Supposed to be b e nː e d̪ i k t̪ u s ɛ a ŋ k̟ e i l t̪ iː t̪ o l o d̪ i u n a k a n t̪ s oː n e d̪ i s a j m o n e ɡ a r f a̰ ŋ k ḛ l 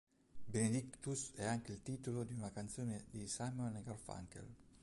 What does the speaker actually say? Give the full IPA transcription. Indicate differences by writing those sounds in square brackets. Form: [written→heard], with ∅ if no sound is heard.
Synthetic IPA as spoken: b e [nː→n] e d̪ i k t̪ u s ɛ a ŋ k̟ e i l t̪ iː t̪ o l o d̪ i u n a k a n t̪ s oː n e d̪ i s a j m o n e ɡ a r f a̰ ŋ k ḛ l